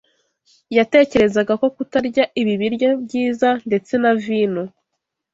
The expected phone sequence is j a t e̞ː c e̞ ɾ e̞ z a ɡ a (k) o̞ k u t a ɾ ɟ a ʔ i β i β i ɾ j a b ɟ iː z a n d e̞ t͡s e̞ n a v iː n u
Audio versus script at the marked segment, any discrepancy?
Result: no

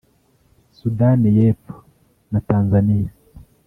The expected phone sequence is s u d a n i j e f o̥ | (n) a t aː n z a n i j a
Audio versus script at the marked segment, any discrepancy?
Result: no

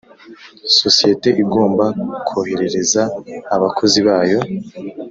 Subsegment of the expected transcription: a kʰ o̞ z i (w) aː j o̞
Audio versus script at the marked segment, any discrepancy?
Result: yes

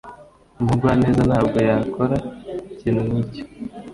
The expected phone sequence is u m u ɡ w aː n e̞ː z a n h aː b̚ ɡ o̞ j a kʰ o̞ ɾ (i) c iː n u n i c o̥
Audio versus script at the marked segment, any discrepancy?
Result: yes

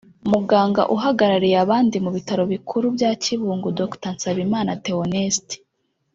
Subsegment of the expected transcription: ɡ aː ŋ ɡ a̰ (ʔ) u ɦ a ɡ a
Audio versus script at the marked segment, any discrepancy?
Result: no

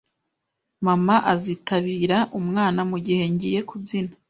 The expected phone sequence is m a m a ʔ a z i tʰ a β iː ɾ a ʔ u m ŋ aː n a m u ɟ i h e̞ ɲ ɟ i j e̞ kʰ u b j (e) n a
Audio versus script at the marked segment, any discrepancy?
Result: yes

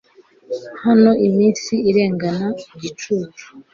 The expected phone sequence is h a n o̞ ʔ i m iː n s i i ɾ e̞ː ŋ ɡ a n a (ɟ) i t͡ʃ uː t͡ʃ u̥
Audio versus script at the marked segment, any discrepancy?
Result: no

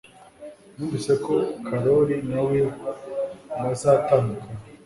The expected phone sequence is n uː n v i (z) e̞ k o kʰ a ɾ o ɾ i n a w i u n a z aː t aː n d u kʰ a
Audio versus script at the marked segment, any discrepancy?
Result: yes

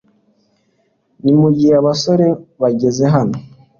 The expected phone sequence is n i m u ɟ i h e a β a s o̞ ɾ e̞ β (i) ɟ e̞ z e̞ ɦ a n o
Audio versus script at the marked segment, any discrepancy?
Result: yes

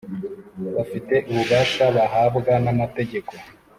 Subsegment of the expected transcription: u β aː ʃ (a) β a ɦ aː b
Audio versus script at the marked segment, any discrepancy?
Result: no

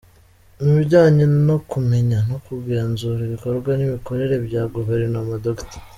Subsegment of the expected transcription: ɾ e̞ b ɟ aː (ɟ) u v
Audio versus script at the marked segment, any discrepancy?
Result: yes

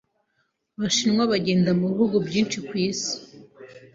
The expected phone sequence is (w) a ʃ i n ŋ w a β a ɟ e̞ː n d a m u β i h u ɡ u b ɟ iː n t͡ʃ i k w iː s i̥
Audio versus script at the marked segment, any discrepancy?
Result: yes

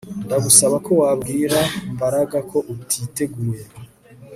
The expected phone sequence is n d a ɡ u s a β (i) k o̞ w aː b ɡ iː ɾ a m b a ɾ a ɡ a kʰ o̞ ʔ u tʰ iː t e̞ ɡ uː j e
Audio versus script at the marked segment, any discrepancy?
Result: yes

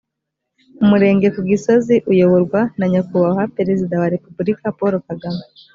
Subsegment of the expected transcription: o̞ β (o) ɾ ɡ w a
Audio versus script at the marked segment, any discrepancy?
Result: no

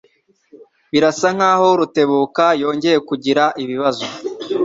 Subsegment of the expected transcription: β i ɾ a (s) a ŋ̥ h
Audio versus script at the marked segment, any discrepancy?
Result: no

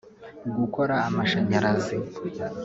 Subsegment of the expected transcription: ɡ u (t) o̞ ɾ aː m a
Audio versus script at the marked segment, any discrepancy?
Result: yes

